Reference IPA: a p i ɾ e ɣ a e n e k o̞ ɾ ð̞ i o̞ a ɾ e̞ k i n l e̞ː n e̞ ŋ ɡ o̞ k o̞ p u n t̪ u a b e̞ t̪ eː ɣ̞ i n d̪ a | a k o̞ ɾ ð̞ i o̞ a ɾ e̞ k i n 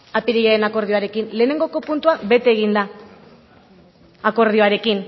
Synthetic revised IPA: a p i ɾ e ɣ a e n a k o̞ ɾ ð̞ i o̞ a ɾ e̞ k i n l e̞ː n e̞ ŋ ɡ o̞ k o̞ p u n t̪ u a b e̞ t̪ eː ɣ̞ i n d̪ a | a k o̞ ɾ ð̞ i o̞ a ɾ e̞ k i n

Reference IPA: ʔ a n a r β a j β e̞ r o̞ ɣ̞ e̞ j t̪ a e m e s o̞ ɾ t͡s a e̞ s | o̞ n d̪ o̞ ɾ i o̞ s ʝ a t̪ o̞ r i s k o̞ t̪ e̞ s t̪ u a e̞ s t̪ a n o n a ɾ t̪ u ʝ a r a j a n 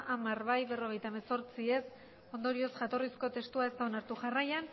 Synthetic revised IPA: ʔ a m a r β a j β e̞ r o̞ ɣ̞ e̞ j t̪ a e m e s o̞ ɾ t͡s i e̞ s | o̞ n d̪ o̞ ɾ i o̞ s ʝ a t̪ o̞ r i s k o̞ t̪ e̞ s t̪ u a e̞ s t̪ a o n a ɾ t̪ u ʝ a r a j a n

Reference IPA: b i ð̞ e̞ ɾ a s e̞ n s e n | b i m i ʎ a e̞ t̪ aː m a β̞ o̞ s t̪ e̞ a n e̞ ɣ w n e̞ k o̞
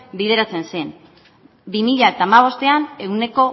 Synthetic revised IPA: b i ð̞ e̞ ɾ a t͡s e̞ n s e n | b i m i ʎ a e̞ t̪ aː m a β̞ o̞ s t̪ e̞ a n e̞ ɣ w n e̞ k o̞

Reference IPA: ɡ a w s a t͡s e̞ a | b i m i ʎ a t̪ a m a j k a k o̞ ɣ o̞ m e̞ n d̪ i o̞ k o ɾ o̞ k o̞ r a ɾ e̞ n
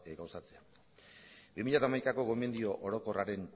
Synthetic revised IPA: ɡ a w s a t͡s e̞ a | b i m i ʎ a t̪ a m a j k a k o̞ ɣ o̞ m e̞ n d̪ i o̞ ʔ o ɾ o̞ k o̞ r a ɾ e̞ n

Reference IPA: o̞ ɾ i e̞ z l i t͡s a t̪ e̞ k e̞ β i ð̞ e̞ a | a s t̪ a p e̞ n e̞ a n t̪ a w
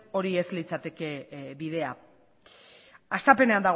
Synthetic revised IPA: o̞ ɾ i e̞ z l i t͡s a t̪ e̞ k e̞ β i ð̞ e̞ a | a s t̪ a p e̞ n e̞ a n d̪ a ɣ

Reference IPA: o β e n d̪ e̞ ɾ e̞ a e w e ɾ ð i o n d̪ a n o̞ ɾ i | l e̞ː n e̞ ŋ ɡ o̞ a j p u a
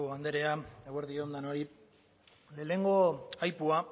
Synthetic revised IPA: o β a n d̪ e̞ ɾ e̞ a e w e ɾ ð i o n d̪ a n o̞ ɾ i | l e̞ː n e̞ ŋ ɡ o̞ a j p u a

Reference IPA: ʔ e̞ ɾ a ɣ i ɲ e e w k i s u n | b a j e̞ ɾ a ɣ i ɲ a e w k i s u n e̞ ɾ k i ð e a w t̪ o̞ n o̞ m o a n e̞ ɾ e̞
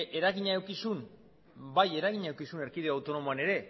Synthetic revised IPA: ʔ e̞ ɾ a ɣ i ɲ a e w k i s u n | b a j e̞ ɾ a ɣ i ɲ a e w k i s u n e̞ ɾ k i ð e a w t̪ o̞ n o̞ m o a n e̞ ɾ e̞

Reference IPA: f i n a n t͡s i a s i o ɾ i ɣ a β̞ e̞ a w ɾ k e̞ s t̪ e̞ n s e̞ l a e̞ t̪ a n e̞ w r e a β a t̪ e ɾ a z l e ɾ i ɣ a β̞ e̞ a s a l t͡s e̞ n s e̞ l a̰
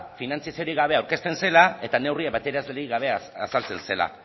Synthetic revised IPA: f i n a n t͡s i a s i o ɾ i ɣ a β̞ e̞ a w ɾ k e̞ s t̪ e̞ n s e̞ l a e̞ t̪ a n e̞ w r i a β a t̪ e ɾ a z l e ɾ i ɣ a β̞ e̞ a s a l t͡s e̞ n s e̞ l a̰

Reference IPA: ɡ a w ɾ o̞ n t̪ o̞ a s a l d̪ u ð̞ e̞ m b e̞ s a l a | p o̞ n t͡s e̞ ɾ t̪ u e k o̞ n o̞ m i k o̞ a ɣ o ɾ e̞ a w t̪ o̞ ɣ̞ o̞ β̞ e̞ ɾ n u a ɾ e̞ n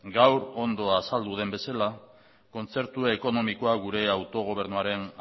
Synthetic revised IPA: ɡ a w ɾ o̞ n d̪ o̞ a s a l d̪ u ð̞ e̞ m b e̞ s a l a | k o̞ n t͡s e̞ ɾ t̪ u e k o̞ n o̞ m i k o̞ a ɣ u ɾ e̞ a w t̪ o̞ ɣ̞ o̞ β̞ e̞ ɾ n u a ɾ e̞ n

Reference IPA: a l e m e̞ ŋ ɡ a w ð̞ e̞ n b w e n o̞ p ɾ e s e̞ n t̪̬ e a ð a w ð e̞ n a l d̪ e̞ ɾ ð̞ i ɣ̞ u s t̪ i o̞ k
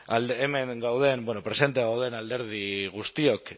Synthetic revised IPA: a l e m e̞ ŋ ɡ a w ð̞ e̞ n b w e n o̞ p ɾ e s e̞ n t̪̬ e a ɣ a w ð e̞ n a l d̪ e̞ ɾ ð̞ i ɣ̞ u s t̪ i o̞ k

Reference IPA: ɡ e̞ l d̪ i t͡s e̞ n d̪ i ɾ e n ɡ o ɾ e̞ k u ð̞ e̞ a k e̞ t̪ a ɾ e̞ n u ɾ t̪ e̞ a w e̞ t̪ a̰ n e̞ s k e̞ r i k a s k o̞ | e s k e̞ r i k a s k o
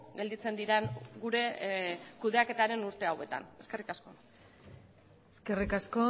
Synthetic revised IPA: ɡ e̞ l d̪ i t͡s e̞ n d̪ i ɾ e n ɡ u ɾ e̞ k u ð̞ e̞ a k e̞ t̪ a ɾ e̞ n u ɾ t̪ e̞ a w e̞ t̪ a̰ n e̞ s k e̞ r i k a s k o̞ | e s k e̞ r i k a s k o

